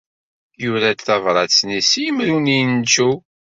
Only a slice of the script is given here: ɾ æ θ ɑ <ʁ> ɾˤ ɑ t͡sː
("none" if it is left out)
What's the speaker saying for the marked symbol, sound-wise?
v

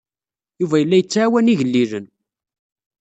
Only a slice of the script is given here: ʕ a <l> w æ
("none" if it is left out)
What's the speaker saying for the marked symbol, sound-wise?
none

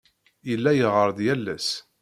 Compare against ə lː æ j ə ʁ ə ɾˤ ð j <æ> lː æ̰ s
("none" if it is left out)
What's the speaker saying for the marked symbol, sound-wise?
æ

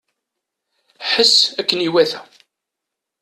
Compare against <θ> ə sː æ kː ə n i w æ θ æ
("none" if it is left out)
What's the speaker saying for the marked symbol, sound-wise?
ħ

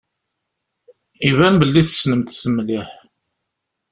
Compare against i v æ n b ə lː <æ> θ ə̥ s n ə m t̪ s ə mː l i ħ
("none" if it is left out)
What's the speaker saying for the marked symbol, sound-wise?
i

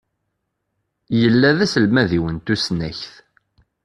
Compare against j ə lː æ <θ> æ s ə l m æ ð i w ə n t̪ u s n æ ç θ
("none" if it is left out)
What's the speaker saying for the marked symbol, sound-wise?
ð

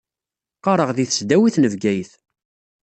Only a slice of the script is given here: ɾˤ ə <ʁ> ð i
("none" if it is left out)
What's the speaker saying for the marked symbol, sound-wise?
ʁ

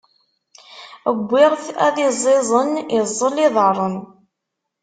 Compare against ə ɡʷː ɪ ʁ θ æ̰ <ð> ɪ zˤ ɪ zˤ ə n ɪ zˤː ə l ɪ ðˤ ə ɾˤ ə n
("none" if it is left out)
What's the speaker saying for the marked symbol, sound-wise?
ð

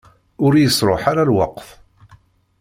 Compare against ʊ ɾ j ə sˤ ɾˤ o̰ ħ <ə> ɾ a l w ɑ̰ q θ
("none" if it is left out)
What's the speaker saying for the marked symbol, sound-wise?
a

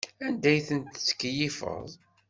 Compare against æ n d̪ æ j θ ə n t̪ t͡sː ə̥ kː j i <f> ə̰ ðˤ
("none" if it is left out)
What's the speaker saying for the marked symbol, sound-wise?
f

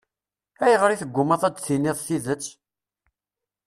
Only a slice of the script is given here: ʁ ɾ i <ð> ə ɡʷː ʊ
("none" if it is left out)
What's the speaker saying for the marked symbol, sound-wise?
θ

